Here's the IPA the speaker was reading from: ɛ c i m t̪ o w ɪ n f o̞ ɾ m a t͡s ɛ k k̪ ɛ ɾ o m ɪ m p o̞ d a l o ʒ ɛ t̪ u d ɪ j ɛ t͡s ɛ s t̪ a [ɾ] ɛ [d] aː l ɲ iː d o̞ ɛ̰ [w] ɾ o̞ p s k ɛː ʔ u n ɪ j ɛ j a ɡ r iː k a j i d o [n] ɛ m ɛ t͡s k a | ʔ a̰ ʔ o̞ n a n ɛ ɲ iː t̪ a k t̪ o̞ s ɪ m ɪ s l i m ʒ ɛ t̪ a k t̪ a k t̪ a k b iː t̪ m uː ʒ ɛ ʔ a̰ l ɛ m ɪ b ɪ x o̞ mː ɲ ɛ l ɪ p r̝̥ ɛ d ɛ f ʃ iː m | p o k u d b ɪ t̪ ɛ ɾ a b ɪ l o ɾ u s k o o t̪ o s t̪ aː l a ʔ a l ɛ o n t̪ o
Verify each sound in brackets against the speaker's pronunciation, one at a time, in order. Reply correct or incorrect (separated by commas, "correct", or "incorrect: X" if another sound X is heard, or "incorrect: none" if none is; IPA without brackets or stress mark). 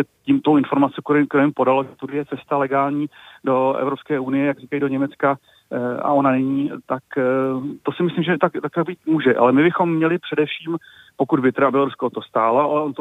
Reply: incorrect: l, incorrect: ɡ, incorrect: v, incorrect: ɲ